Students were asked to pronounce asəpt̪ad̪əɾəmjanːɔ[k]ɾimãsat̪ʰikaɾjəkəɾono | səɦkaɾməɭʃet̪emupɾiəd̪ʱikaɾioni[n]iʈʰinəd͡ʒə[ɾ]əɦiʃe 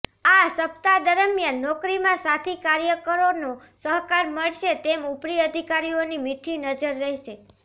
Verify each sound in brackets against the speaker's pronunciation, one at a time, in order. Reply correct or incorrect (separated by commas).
correct, incorrect, incorrect